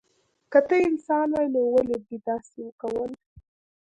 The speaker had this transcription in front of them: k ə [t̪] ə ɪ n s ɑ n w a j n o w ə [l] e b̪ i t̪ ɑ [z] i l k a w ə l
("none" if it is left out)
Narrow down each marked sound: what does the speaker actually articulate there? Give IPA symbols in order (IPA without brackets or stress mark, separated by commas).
t̪, l, s